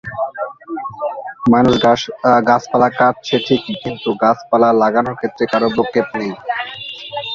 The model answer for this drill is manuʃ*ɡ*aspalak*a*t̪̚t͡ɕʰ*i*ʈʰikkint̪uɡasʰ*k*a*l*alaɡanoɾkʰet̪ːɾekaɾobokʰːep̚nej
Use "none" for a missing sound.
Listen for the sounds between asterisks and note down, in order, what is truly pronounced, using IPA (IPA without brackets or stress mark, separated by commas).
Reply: ɡ, a, e, p, l